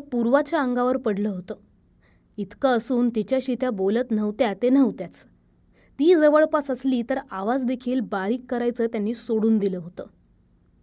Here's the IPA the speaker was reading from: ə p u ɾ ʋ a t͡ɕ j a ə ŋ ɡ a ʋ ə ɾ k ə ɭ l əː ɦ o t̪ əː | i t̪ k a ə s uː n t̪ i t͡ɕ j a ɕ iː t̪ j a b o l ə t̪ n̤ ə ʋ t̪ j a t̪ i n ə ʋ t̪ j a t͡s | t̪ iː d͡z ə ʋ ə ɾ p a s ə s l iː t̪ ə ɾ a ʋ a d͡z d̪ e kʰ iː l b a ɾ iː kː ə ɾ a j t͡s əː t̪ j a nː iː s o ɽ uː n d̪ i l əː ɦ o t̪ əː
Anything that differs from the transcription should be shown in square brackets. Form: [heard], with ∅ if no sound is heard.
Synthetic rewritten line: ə p u ɾ ʋ a t͡ɕ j a ə ŋ ɡ a ʋ ə ɾ [p] ə [ɽ] l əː ɦ o t̪ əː | i t̪ k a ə s uː n t̪ i t͡ɕ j a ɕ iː t̪ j a b o l ə t̪ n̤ ə ʋ t̪ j a t̪ [e] n ə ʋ t̪ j a t͡s | t̪ iː d͡z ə ʋ ə [ɭ] p a s ə s l iː t̪ ə ɾ a ʋ a d͡z d̪ e kʰ iː l b a ɾ iː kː ə ɾ a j t͡s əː t̪ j a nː iː s o ɽ uː n d̪ i l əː ɦ o t̪ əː